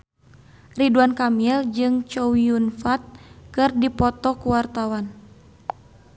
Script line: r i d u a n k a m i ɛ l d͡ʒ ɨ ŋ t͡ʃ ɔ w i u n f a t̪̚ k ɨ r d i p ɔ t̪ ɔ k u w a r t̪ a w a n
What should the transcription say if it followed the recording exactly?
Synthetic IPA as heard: r i d u a n k a m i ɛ l d͡ʒ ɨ ŋ t͡ʃ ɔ w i u n f a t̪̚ k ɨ r d i p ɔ t̪ ɔ k u w a r t̪ a w a n